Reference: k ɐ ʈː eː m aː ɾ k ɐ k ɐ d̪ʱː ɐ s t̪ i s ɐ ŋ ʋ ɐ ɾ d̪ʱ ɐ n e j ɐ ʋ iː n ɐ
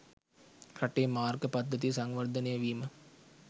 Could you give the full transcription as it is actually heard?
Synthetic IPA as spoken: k ɐ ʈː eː m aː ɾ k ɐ p ɐ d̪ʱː ɐ t̪ i s ɐ ŋ ʋ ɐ ɾ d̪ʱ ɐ n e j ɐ ʋ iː m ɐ